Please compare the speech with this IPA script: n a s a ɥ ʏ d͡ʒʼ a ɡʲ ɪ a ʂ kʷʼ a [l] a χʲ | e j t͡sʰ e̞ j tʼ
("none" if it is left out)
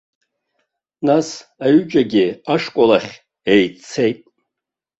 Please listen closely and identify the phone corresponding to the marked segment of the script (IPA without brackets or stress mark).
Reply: l